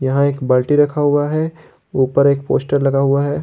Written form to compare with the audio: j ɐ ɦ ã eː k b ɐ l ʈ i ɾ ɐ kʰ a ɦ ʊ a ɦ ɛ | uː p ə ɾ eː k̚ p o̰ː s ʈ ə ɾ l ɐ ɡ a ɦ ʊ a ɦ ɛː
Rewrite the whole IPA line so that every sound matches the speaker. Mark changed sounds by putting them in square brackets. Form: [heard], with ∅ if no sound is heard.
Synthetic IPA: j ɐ ɦ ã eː k b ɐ l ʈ i ɾ ɐ kʰ a ɦ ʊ a ɦ ɛ | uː p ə ɾ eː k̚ p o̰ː s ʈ ə ɾ l ɐ ɡ a ɦ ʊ a ɦ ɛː